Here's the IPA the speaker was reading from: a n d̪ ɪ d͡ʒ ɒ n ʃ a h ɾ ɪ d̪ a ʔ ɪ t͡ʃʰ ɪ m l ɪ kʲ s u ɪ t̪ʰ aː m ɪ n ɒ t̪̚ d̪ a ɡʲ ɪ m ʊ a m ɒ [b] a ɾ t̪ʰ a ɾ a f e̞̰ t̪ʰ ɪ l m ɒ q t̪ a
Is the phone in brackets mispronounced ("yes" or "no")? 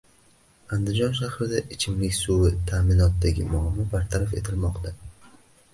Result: no